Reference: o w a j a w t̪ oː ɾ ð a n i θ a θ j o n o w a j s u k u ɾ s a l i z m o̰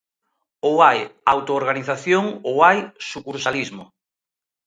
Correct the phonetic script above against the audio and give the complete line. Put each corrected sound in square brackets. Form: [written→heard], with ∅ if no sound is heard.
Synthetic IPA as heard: o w a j a w t̪ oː ɾ [ð→ɣ] a n i θ a θ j o [n→ŋ] o w a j s u k u ɾ s a l i z m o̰